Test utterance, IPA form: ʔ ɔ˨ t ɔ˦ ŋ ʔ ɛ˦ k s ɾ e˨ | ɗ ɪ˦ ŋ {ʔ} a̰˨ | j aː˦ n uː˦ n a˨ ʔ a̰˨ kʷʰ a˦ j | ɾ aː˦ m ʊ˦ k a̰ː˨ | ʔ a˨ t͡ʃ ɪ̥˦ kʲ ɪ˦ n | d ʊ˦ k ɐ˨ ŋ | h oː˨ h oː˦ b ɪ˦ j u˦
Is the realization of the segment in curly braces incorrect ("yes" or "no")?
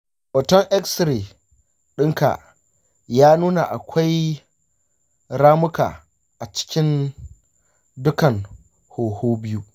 yes